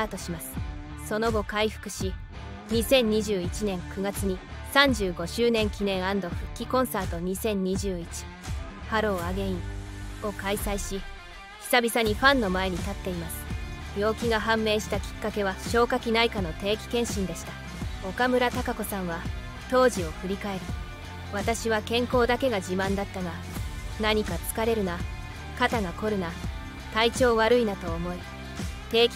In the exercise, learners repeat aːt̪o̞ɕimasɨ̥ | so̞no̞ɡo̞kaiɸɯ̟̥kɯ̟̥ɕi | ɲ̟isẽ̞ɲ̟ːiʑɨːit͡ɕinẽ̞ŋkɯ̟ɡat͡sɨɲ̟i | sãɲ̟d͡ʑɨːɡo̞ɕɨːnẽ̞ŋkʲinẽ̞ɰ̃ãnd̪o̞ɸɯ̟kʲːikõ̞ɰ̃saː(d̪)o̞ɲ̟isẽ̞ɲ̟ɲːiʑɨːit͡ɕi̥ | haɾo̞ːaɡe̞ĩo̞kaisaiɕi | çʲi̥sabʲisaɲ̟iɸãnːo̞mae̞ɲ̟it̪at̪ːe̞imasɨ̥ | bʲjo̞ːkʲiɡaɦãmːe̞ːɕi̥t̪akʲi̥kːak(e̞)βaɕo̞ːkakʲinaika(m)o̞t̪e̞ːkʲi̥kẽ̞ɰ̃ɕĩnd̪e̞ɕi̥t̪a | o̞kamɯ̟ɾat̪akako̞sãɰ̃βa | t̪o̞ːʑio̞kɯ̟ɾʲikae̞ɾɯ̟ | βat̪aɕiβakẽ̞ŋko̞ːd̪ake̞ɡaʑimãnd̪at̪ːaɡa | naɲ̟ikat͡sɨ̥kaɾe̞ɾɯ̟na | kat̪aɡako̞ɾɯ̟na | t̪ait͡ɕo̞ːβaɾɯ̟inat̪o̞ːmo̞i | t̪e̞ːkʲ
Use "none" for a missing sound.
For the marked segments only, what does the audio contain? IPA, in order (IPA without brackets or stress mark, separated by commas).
t̪, e̞, n